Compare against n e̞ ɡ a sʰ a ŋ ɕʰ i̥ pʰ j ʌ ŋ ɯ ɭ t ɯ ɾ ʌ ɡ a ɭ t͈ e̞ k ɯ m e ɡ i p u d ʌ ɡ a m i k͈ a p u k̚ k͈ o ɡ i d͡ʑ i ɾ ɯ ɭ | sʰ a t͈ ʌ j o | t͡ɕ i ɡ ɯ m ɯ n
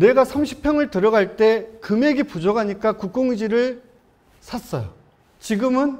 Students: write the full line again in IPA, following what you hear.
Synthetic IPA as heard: n e̞ ɡ a sʰ a m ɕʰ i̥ pʰ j ʌ ŋ ɯ ɭ t ɯ ɾ ʌ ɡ a ɭ t͈ e̞ k ɯ m e ɡ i p u d͡ʑ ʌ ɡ a ɲ i k͈ a k u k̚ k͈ o ŋ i d͡ʑ i ɾ ɯ ɭ | sʰ a s͈ ʌ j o | t͡ɕ i ɡ ɯ m ɯ n